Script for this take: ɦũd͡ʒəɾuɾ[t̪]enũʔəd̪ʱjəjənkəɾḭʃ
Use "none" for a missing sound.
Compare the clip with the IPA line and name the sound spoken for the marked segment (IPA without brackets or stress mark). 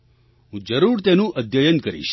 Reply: t̪